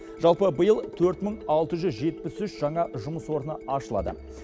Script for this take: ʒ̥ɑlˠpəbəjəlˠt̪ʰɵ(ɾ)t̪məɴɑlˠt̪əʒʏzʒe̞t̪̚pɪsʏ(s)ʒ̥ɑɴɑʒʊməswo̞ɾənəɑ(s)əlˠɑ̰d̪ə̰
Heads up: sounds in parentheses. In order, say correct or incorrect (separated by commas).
correct, incorrect, incorrect